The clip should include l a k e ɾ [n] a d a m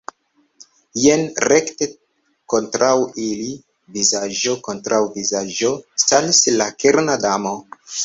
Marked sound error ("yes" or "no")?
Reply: no